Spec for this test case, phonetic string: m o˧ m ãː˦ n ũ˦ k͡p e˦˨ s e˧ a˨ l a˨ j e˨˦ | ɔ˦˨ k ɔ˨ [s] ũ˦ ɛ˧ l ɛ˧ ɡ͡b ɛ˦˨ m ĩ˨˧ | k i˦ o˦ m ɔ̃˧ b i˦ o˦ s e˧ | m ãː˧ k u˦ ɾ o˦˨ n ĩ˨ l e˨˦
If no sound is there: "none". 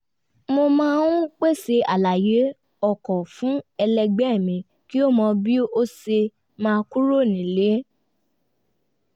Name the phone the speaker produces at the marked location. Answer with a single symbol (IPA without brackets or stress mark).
f